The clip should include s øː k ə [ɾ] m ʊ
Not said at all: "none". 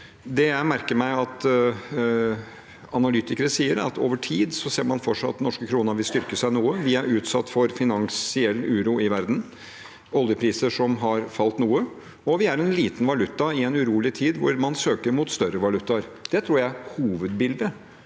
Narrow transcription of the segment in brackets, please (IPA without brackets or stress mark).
ɾ